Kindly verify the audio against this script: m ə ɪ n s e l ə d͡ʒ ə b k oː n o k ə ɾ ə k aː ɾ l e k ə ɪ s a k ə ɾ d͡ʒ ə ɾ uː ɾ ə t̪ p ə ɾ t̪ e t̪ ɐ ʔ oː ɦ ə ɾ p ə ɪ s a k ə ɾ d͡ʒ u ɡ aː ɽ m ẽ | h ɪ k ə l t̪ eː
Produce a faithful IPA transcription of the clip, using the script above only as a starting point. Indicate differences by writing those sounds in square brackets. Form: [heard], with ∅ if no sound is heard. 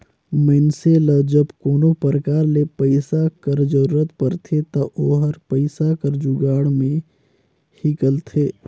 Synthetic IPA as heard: m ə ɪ n s e l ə d͡ʒ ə b k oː n o [p] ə ɾ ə k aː ɾ l e [p] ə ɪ s a k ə ɾ d͡ʒ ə ɾ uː ɾ ə t̪ p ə ɾ [t̪ʰ] e t̪ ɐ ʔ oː ɦ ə ɾ p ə ɪ s a k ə ɾ d͡ʒ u ɡ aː ɽ m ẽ | h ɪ k ə l [t̪ʰ] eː